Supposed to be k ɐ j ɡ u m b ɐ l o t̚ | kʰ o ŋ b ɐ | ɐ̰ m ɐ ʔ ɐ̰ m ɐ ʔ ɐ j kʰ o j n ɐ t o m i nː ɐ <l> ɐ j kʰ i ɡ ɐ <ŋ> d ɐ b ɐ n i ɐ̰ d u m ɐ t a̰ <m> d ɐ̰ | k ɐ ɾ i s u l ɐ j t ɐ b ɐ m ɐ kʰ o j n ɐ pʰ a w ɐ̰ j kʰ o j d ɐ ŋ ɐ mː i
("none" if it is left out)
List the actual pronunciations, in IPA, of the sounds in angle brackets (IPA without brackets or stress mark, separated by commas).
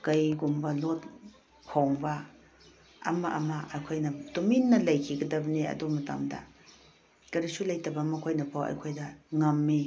l, none, m